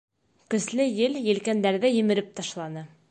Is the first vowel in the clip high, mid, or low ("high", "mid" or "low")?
mid